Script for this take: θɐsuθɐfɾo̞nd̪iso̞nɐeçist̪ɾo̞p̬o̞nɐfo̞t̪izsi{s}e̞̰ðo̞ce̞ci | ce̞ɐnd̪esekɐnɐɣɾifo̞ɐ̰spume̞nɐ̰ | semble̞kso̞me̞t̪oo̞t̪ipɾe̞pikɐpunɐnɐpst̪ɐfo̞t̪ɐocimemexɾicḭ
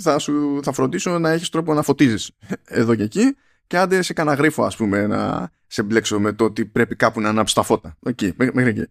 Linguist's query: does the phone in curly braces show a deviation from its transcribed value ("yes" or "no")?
no